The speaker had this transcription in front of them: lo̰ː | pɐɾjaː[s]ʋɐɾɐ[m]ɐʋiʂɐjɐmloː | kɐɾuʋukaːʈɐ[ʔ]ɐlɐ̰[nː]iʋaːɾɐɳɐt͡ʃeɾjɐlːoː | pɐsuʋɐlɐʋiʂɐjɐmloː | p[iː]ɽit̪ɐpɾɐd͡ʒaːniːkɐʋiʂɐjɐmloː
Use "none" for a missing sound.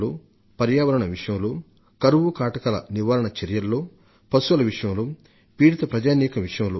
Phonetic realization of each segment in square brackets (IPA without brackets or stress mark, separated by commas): none, ɳ, k, n, iː